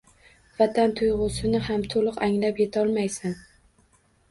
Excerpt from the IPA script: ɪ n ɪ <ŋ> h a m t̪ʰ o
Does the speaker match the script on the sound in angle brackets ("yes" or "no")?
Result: no